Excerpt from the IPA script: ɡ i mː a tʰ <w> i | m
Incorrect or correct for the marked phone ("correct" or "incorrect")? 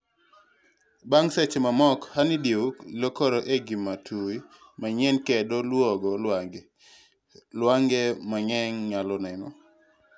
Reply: incorrect